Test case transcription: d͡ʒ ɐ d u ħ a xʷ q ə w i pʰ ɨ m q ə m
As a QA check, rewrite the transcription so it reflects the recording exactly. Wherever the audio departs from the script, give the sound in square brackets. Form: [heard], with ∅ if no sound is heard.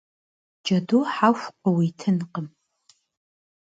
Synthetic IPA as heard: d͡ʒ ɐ d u ħ a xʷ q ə w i [tʰ] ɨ [n] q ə m